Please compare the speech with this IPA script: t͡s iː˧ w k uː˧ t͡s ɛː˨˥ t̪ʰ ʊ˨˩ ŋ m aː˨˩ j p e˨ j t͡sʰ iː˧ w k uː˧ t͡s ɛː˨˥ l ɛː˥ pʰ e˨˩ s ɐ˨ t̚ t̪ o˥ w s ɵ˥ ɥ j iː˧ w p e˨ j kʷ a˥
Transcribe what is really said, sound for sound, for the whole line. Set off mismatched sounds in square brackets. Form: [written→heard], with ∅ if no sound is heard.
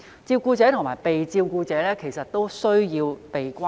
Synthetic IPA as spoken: t͡s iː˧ w k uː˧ t͡s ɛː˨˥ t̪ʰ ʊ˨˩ ŋ m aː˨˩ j p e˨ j [t͡sʰ→t͡s] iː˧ w k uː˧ t͡s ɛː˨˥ l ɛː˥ [pʰ→kʰ] e˨˩ s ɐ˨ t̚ t̪ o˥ w s ɵ˥ ɥ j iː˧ w p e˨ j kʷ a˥